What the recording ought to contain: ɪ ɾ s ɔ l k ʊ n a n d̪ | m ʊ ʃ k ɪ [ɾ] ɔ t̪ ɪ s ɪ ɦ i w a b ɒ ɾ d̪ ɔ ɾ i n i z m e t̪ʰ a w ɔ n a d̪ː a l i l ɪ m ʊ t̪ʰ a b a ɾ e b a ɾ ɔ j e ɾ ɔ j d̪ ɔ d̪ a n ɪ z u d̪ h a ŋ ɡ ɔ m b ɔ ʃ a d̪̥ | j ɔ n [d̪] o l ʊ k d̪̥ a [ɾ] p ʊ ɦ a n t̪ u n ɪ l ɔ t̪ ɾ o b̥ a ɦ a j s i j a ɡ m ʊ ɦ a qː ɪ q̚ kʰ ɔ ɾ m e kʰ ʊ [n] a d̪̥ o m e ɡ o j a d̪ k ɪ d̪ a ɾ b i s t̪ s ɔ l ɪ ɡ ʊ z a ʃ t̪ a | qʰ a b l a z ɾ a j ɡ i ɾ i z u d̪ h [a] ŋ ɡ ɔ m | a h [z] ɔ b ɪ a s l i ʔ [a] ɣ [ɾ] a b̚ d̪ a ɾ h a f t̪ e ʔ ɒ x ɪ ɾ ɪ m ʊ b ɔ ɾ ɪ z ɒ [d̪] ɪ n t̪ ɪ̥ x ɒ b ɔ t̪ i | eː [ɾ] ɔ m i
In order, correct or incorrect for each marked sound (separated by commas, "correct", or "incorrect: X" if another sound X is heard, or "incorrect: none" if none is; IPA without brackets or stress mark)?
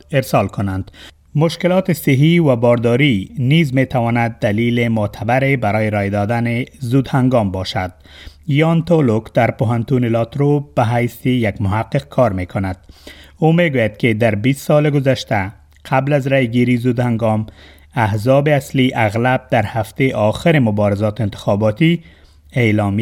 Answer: incorrect: l, incorrect: t̪, correct, correct, correct, correct, correct, incorrect: l, incorrect: t̪, incorrect: l